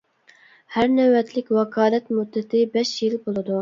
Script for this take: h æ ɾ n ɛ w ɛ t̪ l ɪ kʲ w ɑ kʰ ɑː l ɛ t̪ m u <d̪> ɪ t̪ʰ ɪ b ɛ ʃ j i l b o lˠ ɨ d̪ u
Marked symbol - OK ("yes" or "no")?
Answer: no